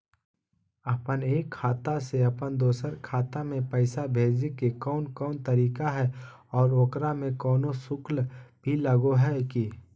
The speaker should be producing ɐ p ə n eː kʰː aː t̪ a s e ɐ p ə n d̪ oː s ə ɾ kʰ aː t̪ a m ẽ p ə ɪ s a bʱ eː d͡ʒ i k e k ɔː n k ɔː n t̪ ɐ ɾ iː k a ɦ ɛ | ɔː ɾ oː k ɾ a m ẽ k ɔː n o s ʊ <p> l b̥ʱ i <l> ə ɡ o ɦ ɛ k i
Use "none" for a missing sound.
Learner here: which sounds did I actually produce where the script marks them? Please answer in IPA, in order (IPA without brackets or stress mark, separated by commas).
k, l